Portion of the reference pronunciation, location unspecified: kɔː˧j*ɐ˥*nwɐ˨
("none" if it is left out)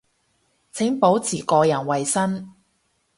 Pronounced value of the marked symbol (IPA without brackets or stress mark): ɐ˨˩